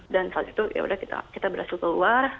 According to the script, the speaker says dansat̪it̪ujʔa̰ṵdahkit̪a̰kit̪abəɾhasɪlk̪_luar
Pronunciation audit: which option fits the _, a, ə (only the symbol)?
ə